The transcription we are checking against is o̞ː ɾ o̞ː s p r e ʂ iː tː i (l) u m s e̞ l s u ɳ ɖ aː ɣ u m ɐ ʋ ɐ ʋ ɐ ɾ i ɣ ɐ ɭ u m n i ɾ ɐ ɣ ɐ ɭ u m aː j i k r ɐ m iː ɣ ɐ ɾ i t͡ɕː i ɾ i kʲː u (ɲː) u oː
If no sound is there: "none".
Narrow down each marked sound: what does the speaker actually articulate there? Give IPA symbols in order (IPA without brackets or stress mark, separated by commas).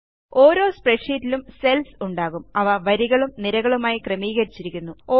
l, nː